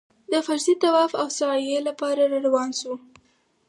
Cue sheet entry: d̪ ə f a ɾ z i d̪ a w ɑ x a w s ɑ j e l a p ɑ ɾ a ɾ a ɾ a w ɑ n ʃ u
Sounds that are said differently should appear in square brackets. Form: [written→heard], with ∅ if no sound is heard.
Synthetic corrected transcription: d̪ ə f a ɾ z i [d̪→t̪] a w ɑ [x→f] a w s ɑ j e l a p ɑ ɾ a ɾ a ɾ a w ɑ n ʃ u